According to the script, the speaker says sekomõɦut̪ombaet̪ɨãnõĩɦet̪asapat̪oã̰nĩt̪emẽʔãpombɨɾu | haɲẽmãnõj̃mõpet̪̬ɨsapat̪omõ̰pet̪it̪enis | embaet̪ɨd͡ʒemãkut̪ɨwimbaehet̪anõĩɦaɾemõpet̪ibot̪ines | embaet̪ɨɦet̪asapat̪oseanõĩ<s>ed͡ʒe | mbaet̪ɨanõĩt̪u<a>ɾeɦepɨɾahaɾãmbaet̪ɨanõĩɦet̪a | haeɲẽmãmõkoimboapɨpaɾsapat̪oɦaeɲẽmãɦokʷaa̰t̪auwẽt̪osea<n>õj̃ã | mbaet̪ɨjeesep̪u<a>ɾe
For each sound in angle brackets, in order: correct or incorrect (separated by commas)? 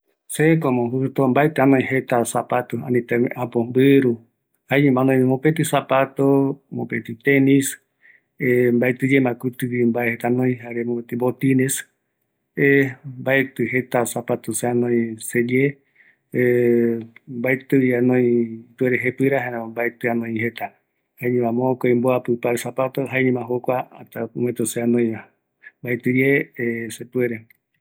correct, incorrect, correct, incorrect